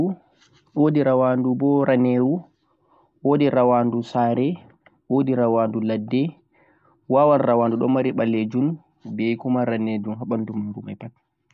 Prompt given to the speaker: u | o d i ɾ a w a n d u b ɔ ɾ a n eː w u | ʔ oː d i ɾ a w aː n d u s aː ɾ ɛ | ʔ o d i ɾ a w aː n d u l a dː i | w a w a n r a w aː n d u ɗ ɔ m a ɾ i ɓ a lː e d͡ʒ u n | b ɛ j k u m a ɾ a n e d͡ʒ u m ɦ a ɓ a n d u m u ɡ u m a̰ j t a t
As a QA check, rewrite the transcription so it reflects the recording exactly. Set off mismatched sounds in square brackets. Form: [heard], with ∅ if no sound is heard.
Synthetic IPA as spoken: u | o d i ɾ a w a n d u b ɔ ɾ a n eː w u | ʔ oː d i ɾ a w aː n d u s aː ɾ ɛ | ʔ o d i ɾ a w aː n d u l a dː [ɛ] | w a w a n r a w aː n d u ɗ ɔ m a ɾ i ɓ a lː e d͡ʒ u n | b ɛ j k u m a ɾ a n e d͡ʒ u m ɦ a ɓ a n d u m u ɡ u m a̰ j [p] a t